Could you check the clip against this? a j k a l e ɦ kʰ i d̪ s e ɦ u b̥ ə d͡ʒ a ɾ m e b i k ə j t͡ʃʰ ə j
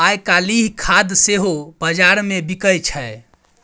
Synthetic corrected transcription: a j k a l i ɦ kʰ a d̪ s e ɦ o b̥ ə d͡ʒ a ɾ m e b i k ə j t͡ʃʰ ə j